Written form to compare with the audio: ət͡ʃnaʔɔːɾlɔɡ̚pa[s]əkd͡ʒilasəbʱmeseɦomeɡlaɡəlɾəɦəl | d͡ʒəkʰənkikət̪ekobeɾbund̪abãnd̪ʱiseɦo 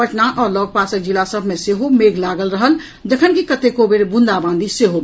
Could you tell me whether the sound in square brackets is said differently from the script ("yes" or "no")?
no